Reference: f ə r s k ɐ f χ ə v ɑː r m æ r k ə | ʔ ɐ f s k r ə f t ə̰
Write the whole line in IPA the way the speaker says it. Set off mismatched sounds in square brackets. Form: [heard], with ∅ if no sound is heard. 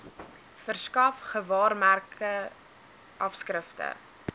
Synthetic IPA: f ə r s k ɐ f χ ə v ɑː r m æ r k ə | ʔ ɐ f s k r ə f t ə̰